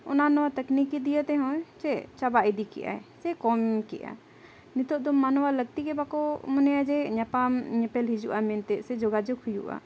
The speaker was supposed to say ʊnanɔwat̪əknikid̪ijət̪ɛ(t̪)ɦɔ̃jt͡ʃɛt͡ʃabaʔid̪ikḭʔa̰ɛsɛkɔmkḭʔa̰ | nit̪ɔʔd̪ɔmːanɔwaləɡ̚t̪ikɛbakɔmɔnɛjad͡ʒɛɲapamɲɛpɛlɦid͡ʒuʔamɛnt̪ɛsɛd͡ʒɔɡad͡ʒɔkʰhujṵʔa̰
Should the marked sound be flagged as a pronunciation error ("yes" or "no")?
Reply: yes